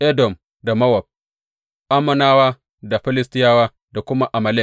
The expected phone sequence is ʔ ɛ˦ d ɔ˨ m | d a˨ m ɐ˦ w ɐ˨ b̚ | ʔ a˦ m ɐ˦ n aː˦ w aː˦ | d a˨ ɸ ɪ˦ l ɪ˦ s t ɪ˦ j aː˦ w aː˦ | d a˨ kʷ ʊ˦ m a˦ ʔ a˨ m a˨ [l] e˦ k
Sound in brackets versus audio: correct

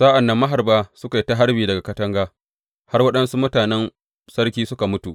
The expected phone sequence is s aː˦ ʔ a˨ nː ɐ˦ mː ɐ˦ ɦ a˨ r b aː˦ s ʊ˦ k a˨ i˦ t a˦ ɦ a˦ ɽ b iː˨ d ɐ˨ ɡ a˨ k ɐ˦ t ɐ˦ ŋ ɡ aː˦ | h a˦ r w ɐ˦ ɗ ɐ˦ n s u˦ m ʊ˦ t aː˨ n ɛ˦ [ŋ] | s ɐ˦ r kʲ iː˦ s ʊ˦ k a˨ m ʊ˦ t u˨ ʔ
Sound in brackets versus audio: incorrect: n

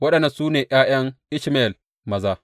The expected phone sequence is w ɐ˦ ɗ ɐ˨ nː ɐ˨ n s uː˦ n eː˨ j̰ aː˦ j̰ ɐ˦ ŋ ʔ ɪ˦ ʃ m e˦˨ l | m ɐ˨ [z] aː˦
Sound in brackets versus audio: correct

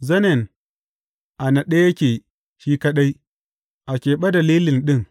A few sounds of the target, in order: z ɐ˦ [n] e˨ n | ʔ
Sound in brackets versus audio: correct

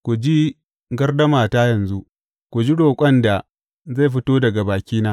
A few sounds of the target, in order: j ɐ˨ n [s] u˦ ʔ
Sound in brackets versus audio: incorrect: z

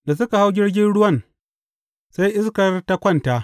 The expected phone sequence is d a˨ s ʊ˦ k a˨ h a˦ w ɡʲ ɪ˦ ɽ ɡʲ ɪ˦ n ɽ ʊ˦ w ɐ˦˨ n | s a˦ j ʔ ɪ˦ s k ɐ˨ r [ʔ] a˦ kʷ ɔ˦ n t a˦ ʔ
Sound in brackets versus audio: incorrect: t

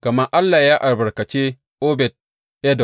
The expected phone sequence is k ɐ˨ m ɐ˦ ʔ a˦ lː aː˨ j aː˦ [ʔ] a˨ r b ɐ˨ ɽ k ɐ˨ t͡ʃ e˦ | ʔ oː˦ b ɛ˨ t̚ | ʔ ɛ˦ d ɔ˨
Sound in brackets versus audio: correct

